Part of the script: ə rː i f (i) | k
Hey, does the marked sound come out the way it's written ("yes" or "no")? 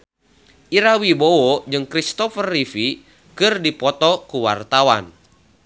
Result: yes